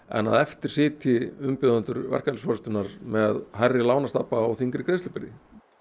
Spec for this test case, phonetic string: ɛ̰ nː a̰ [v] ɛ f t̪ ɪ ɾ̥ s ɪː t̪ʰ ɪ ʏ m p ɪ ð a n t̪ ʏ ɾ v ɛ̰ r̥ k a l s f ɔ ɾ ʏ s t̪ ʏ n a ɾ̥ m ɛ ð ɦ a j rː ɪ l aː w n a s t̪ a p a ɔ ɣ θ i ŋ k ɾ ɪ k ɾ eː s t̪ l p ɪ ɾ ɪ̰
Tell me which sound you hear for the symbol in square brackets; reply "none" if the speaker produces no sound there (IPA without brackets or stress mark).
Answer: ð